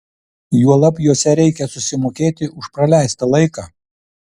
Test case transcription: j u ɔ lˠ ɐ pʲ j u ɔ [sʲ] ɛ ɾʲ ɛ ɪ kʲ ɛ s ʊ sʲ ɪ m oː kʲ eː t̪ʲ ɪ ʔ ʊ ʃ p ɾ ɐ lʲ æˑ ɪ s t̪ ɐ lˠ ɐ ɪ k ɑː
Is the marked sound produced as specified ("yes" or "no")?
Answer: yes